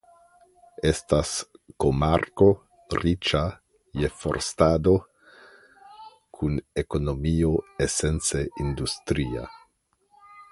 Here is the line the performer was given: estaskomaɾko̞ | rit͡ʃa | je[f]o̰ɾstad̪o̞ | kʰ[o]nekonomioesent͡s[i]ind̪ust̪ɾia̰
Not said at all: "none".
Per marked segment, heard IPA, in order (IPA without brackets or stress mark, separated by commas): f, u, e